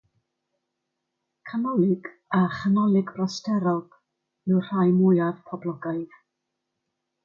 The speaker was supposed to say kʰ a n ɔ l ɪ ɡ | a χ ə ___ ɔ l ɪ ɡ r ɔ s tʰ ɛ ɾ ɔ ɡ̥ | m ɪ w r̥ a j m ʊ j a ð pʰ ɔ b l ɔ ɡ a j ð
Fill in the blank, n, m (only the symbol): n